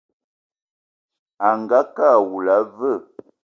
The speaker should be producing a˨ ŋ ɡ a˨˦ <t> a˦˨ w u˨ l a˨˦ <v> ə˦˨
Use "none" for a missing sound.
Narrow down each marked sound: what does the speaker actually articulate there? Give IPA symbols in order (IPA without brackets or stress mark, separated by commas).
k, v